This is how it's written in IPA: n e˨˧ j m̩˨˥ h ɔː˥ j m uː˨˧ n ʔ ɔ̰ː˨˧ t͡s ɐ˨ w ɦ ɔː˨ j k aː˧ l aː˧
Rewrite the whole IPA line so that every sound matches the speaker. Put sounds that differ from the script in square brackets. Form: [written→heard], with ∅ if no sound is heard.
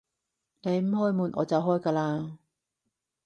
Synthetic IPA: n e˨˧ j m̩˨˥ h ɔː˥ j m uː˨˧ n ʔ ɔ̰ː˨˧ t͡s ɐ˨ w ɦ [ɔː˨→ɔː˥] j k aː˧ l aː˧